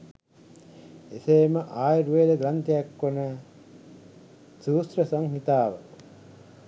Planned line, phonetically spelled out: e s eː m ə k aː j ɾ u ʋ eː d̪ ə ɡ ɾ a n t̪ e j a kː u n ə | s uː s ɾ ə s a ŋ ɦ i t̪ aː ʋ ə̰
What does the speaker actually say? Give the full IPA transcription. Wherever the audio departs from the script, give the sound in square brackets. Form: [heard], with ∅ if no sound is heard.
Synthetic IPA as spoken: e s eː m ə [ʔ] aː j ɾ u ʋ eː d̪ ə ɡ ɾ a n t̪ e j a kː [o] n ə | s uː s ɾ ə s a ŋ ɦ i t̪ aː ʋ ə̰